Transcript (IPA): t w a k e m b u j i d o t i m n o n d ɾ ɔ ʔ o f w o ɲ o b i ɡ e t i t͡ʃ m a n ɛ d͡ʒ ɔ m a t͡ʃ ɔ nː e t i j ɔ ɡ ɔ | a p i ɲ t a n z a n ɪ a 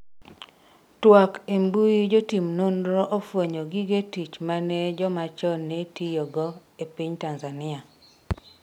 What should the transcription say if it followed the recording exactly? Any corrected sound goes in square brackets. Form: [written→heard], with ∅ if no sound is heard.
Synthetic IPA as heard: t w a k e m b u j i [d→d͡ʒ] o t i m n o n d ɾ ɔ ʔ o f w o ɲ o [b→ɡ] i ɡ e t i t͡ʃ m a n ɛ d͡ʒ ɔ m a t͡ʃ ɔ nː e t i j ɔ ɡ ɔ | [a→e] p i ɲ t a n z a n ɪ a